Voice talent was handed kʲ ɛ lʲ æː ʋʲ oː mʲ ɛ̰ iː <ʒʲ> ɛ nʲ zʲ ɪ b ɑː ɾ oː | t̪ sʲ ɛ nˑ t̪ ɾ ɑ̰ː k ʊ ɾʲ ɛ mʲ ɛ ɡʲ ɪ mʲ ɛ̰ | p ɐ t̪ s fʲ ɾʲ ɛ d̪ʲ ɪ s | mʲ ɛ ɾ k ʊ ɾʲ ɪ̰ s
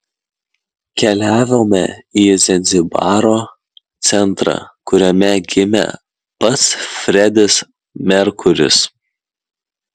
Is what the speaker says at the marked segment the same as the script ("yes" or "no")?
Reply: no